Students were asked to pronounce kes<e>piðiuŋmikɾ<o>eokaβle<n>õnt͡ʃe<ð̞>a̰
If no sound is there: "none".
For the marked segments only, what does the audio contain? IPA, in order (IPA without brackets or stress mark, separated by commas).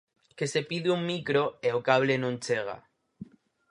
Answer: e, o, n, ɣ̞